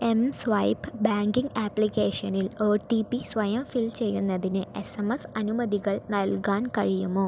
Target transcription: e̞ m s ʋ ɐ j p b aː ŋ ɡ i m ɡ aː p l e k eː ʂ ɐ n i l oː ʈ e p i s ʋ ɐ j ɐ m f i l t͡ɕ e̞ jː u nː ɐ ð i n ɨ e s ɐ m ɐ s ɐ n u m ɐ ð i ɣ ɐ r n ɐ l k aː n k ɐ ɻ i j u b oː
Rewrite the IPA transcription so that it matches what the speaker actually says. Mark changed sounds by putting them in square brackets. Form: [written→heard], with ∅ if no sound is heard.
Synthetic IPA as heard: e̞ m s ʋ ɐ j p b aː ŋ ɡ i [m→ŋ] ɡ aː p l [e→i] k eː ʂ ɐ n i l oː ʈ [e→i] p i s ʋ ɐ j ɐ m f i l t͡ɕ e̞ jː u nː ɐ ð i n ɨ e s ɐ m ɐ s ɐ n u m ɐ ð i ɣ ɐ [r→ɭ] n ɐ l k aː n k ɐ ɻ i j u [b→m] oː